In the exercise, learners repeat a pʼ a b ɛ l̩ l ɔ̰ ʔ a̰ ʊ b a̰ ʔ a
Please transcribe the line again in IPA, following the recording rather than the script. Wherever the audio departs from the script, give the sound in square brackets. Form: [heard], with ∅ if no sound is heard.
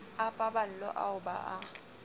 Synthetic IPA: a pʼ a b [a] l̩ l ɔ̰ ʔ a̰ ʊ b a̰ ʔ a